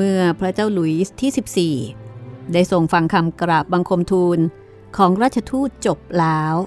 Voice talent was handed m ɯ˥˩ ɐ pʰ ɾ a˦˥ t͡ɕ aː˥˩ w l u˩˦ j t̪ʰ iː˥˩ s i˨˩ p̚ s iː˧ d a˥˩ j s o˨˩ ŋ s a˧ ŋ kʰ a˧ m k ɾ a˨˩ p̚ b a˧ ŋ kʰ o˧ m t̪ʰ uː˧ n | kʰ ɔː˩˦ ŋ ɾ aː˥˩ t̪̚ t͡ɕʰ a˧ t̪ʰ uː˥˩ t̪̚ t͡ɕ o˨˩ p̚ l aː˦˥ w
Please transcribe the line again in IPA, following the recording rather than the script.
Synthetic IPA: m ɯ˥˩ ɐ pʰ ɾ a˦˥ t͡ɕ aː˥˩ w l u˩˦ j t̪ʰ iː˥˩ s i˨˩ p̚ s iː˨˩ d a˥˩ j s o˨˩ ŋ f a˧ ŋ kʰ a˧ m k ɾ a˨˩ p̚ b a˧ ŋ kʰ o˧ m t̪ʰ uː˧ n | kʰ ɔː˩˦ ŋ ɾ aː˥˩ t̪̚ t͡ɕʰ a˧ t̪ʰ uː˥˩ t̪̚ t͡ɕ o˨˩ p̚ l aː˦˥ w